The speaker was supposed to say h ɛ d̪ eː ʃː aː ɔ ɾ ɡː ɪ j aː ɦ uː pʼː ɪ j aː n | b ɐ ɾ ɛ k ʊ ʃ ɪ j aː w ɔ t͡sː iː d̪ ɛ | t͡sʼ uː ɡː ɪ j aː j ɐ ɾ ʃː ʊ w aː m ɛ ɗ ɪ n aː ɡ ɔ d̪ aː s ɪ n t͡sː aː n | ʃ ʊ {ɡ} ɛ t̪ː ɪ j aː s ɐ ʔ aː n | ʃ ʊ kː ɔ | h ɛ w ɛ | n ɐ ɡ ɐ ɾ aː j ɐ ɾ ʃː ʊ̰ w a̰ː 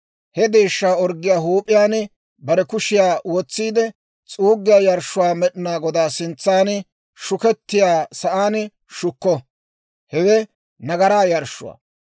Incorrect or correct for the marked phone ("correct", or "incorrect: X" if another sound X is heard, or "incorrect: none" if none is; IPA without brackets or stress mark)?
incorrect: k